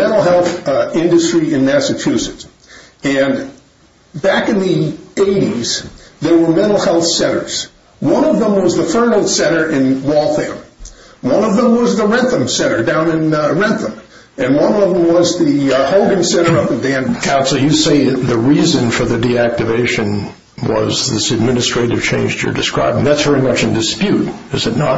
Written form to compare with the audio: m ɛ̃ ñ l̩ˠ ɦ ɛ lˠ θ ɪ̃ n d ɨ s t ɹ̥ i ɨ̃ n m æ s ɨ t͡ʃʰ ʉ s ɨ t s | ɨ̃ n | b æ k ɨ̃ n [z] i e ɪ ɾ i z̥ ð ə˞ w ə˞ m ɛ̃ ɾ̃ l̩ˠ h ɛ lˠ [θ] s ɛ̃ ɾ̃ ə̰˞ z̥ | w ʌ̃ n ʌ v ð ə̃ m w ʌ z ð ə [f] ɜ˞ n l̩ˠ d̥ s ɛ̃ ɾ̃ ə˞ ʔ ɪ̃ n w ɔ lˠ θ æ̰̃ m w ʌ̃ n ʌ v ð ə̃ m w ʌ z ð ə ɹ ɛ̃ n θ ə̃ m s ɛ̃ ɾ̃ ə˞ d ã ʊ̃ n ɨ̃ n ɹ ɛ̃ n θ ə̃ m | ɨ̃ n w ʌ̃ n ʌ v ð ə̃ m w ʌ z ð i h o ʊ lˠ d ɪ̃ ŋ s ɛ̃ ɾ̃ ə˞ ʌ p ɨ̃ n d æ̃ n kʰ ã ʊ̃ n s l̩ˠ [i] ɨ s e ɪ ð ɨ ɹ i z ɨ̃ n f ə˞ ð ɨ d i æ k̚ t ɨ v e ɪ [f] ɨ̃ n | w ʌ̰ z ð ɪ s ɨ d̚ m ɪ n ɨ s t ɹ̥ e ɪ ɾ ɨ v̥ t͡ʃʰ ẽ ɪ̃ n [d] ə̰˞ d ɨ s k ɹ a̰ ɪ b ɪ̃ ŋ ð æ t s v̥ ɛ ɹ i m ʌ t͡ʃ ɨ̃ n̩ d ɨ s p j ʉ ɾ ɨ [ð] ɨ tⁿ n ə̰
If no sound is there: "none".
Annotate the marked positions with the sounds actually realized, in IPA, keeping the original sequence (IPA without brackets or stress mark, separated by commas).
ð, θ, f, j, ʃ, d͡ʒ, z